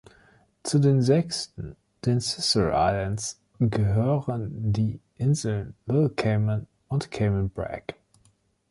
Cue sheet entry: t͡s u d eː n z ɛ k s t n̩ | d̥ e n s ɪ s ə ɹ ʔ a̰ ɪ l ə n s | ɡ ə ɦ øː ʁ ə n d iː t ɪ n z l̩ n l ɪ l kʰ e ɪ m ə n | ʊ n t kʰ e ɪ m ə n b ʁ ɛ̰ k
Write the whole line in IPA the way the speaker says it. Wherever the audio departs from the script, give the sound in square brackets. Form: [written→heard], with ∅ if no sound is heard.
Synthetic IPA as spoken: t͡s u d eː n z ɛ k s t n̩ | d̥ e n s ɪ s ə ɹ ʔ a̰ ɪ l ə n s | ɡ ə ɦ øː ʁ ə n d iː [t→ʔ] ɪ n z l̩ n l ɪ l kʰ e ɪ m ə n | ʊ n t kʰ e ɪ m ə n b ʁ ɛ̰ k